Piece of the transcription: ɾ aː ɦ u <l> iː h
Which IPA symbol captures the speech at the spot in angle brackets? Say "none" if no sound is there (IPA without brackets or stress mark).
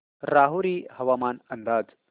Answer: ɾ